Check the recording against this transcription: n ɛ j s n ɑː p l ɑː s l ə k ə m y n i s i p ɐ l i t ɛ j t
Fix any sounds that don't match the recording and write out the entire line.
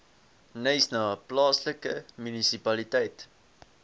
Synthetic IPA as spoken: n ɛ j s n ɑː p l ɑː s l ə k ə m y n i s i p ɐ l i t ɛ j t